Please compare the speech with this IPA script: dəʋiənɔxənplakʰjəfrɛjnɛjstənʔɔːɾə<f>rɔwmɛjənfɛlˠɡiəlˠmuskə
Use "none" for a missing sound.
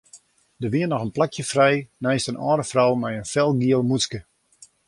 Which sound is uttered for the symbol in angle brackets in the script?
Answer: f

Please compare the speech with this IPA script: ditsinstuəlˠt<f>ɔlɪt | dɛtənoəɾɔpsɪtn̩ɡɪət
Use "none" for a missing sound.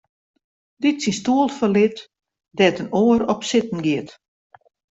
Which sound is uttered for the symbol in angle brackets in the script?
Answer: f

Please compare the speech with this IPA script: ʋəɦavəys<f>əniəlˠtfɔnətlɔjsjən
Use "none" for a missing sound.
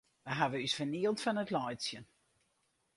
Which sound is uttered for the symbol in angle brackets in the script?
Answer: f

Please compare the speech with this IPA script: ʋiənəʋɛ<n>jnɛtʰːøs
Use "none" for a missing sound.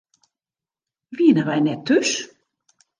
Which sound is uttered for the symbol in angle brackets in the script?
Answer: none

